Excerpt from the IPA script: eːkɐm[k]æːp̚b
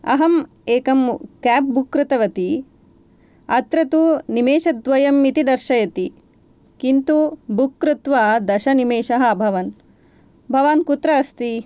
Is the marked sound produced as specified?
yes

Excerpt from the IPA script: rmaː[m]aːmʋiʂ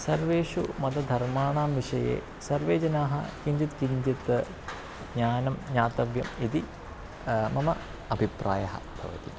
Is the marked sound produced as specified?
no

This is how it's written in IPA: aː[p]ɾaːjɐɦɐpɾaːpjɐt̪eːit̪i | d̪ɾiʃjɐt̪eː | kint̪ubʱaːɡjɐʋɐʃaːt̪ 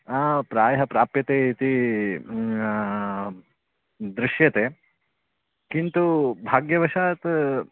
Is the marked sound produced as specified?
yes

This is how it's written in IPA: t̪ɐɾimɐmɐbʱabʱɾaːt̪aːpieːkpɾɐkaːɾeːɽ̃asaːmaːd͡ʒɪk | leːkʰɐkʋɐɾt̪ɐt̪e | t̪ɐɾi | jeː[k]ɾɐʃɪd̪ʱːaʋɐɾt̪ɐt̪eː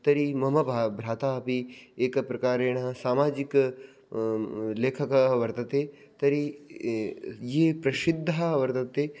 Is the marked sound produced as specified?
no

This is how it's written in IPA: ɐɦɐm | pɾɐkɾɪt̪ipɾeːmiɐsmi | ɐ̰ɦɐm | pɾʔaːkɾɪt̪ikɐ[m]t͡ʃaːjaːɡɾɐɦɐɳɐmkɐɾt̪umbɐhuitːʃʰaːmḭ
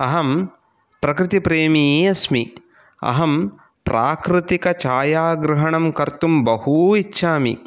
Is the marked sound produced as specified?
no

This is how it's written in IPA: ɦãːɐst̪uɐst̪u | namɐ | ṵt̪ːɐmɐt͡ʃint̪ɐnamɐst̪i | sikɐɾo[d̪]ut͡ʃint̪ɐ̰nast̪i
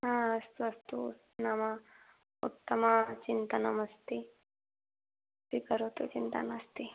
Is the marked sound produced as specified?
no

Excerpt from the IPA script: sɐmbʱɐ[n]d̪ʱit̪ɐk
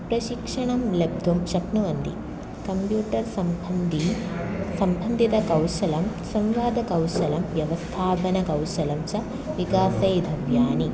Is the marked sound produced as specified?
yes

